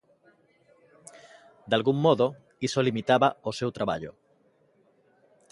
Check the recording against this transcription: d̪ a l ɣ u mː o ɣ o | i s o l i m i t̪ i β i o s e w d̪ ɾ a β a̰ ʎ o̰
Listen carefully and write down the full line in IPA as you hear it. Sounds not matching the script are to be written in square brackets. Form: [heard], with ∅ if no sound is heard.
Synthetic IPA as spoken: d̪ a l ɣ u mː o [ð] o | i s o l i m i t̪ [a] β [a] o s e w [t̪] ɾ a β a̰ ʎ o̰